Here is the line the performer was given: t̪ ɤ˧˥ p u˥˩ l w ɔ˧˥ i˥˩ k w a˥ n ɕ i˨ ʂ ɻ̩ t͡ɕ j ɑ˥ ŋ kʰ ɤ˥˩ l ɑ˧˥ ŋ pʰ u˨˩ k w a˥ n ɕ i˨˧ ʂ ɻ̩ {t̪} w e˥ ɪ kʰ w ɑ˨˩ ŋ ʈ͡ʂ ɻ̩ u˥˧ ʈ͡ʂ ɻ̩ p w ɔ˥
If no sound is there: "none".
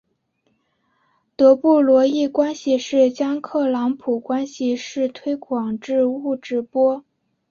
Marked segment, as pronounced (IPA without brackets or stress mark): t̪ʰ